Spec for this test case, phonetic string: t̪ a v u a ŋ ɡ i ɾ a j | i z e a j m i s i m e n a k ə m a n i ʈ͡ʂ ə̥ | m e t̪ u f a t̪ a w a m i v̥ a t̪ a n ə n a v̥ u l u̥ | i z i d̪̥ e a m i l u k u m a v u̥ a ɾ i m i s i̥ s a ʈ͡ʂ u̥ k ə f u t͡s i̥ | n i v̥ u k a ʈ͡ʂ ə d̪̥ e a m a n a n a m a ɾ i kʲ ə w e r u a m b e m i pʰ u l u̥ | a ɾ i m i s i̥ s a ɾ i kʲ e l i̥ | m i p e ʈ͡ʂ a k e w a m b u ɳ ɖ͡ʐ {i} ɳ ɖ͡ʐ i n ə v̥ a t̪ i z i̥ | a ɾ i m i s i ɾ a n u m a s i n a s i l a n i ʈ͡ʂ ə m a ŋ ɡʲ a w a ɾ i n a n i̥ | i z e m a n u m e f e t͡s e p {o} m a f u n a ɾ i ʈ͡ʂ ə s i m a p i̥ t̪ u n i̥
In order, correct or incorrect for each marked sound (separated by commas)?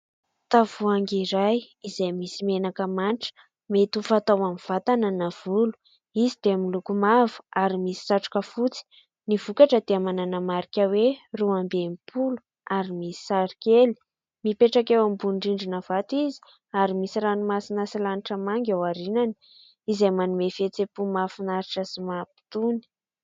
correct, incorrect